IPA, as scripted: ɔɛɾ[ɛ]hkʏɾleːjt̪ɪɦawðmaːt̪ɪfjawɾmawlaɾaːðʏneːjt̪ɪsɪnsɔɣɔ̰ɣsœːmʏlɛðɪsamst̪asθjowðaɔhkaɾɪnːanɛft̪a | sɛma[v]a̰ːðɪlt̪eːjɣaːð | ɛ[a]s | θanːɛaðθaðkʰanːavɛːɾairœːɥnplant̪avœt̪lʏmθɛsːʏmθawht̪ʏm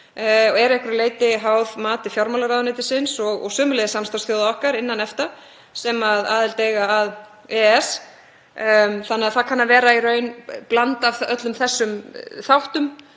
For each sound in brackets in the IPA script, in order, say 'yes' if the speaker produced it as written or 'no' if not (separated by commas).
yes, no, no